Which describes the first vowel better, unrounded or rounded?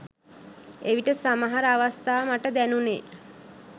unrounded